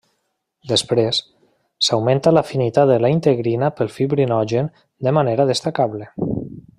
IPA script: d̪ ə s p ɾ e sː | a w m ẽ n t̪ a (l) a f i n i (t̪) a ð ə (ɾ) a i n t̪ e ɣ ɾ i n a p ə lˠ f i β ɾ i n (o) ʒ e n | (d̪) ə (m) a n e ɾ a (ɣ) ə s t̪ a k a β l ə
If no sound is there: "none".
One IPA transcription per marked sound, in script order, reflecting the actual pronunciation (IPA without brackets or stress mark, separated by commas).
l, t̪, l, ɔ, d̪, m, ð